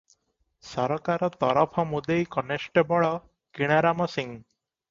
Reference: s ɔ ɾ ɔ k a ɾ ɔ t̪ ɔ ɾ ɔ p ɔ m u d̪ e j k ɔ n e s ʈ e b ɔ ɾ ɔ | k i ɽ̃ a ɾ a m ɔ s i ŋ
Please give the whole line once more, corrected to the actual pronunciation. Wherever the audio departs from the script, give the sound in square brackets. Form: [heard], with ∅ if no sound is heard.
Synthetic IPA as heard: s ɔ ɾ ɔ k a ɾ ɔ t̪ ɔ ɾ ɔ [pʰ] ɔ m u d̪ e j k ɔ n e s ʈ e b ɔ [ɭ] ɔ | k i ɽ̃ a ɾ a m ɔ s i ŋ